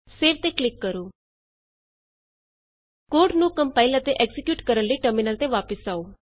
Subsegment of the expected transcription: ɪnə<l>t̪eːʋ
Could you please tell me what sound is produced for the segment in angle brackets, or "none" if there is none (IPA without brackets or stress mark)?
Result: l